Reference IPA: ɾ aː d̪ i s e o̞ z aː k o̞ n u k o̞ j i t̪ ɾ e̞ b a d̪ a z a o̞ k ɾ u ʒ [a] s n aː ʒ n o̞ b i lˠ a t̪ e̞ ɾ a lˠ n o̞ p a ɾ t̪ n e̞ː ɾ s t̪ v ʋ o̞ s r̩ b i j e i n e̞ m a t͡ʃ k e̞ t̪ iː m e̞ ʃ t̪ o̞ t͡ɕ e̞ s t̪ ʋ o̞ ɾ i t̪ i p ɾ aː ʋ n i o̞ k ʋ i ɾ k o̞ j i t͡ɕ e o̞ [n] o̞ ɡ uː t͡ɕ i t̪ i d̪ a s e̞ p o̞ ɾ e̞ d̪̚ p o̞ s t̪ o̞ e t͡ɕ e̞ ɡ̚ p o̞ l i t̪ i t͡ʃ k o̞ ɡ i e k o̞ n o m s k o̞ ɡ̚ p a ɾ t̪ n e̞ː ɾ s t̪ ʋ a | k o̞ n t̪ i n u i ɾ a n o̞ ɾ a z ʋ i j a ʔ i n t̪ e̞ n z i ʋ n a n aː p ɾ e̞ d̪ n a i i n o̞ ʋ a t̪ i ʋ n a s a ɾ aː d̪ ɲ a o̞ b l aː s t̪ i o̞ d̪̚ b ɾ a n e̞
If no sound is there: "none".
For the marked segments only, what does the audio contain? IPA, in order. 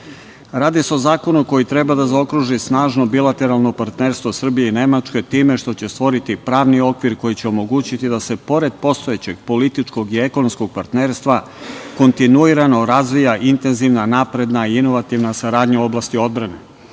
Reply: i, m

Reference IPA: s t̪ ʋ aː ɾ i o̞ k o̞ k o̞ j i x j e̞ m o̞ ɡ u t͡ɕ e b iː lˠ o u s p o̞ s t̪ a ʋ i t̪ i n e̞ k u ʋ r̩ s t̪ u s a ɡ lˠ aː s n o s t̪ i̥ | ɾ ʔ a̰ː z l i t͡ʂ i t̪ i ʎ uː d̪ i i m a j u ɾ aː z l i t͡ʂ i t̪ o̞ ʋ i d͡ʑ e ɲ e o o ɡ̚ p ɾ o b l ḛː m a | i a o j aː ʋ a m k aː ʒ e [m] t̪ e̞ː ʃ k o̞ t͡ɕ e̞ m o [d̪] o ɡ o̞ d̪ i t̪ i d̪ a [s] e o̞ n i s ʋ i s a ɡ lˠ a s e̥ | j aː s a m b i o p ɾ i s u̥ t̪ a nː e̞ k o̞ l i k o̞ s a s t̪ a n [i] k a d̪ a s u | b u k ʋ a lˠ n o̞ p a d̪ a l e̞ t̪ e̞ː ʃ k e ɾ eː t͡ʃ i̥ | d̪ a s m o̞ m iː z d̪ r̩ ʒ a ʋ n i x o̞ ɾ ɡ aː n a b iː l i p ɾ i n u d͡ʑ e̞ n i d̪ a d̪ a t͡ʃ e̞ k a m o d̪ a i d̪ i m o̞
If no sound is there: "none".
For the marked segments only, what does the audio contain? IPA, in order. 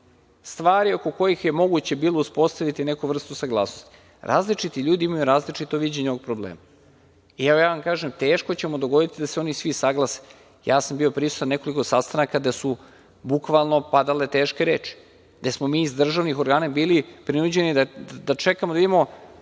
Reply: m, d̪, s, a

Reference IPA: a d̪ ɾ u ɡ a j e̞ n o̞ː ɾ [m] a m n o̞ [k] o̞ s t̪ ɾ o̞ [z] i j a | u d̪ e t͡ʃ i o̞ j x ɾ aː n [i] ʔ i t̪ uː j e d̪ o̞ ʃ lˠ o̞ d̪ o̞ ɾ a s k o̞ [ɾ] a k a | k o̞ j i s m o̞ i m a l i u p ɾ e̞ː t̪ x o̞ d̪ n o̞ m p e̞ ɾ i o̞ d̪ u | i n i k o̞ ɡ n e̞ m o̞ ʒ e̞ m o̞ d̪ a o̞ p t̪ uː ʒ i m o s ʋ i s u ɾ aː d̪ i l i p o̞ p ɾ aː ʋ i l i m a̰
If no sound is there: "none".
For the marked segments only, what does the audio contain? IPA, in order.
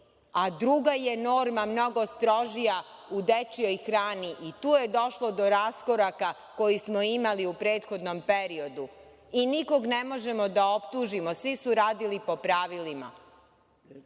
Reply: m, ɡ, ʒ, i, ɾ

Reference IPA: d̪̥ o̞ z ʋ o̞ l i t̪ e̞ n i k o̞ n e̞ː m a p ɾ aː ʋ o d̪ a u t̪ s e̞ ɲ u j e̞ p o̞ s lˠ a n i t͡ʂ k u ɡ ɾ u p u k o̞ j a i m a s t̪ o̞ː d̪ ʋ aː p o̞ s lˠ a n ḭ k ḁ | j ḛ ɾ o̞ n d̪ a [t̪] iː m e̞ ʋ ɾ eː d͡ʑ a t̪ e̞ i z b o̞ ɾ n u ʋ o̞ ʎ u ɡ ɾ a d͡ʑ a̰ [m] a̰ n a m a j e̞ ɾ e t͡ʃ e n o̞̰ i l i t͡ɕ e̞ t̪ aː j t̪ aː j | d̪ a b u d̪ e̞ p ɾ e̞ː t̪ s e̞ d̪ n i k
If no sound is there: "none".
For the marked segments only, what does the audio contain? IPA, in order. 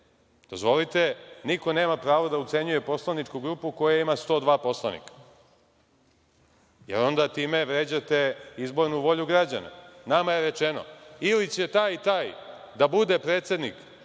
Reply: t̪, n

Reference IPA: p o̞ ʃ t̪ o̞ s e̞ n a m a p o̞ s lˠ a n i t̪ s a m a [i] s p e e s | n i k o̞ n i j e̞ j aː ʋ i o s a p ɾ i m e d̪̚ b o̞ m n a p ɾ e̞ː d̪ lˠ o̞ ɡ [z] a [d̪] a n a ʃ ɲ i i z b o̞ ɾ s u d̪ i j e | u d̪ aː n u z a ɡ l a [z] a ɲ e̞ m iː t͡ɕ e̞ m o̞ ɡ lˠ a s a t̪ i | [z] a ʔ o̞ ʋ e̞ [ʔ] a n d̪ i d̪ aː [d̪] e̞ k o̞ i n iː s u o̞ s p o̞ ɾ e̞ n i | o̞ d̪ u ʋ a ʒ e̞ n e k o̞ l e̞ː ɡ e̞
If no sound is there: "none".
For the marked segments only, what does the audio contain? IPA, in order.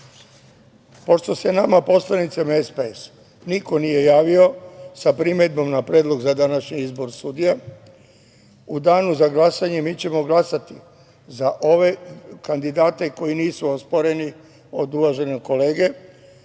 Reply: e, z, d̪, s, z, k, t̪

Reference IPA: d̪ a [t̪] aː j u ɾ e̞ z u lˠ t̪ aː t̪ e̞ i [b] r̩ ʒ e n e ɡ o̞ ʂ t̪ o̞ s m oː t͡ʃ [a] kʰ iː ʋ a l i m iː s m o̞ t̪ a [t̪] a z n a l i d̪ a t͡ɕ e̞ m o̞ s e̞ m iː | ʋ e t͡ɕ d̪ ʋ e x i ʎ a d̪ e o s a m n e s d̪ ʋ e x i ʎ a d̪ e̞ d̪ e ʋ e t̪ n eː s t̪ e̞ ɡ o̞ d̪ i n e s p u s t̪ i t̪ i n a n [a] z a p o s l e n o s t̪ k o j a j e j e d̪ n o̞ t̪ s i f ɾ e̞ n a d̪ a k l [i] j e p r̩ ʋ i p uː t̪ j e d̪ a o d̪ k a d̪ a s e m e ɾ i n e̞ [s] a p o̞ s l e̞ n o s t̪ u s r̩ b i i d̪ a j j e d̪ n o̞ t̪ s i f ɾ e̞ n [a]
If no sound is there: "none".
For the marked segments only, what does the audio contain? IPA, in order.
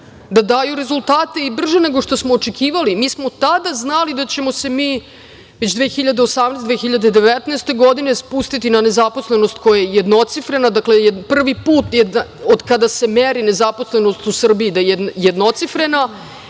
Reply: d̪, b, e, d̪, e, e, z, a

